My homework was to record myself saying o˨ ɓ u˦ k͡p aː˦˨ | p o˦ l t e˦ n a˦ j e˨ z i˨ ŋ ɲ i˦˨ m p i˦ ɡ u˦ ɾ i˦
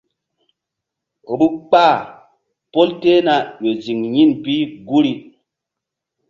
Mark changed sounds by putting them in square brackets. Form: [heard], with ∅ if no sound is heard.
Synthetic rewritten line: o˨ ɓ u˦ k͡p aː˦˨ | p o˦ l t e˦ n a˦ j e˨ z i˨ ŋ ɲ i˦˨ [n] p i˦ ɡ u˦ ɾ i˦